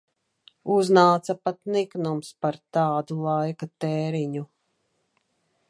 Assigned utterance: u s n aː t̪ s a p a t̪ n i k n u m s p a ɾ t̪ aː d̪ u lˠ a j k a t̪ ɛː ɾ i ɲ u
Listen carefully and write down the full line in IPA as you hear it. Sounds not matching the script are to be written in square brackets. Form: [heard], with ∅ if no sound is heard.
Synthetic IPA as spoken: u [z] n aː t̪ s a p a t̪ n i k n u m s p a ɾ t̪ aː d̪ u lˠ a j k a t̪ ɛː ɾ i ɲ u